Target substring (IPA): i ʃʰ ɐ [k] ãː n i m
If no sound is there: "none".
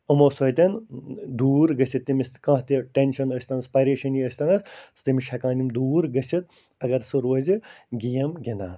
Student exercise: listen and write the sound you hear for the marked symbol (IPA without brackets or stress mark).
k